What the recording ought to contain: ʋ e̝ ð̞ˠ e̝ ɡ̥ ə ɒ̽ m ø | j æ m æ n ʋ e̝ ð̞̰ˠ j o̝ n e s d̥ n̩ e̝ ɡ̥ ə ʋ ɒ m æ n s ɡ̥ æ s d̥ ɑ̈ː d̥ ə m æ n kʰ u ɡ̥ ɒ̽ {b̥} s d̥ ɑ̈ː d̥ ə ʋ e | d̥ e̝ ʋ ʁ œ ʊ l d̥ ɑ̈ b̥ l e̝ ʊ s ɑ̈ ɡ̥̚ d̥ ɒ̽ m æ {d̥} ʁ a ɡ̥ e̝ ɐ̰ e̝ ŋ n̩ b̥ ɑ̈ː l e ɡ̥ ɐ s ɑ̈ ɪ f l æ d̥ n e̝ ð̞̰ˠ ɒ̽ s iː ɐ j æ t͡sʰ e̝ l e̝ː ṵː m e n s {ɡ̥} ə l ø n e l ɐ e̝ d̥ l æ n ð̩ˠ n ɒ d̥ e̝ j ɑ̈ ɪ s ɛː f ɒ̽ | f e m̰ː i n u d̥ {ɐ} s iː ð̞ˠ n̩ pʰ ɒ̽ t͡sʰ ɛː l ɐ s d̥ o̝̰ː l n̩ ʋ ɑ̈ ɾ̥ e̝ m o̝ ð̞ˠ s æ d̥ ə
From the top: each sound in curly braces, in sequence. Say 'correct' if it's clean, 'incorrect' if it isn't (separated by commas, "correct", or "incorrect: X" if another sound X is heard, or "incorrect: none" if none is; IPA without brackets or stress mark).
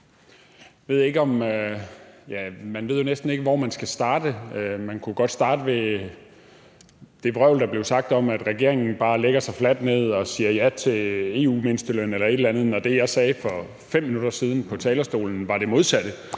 incorrect: d̥, correct, incorrect: d̥, correct